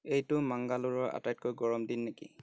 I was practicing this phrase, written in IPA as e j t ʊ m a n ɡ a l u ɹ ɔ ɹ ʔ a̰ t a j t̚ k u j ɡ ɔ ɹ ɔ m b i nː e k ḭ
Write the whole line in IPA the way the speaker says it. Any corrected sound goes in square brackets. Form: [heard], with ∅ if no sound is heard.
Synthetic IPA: e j t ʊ m a [ŋ] ɡ a l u ɹ ɔ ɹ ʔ a̰ t a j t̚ k [o] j ɡ ɔ ɹ ɔ m [d] i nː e k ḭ